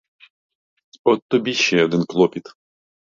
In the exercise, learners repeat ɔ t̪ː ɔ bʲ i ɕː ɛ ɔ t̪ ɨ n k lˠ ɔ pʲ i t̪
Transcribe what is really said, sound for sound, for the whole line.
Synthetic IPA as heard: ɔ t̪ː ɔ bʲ i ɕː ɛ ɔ d̪ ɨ n k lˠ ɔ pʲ i t̪